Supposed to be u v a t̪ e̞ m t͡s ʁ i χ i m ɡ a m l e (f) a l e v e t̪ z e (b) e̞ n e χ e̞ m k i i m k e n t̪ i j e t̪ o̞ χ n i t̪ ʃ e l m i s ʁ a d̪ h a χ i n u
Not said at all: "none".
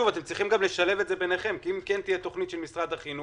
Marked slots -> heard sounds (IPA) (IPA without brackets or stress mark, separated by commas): ʃ, b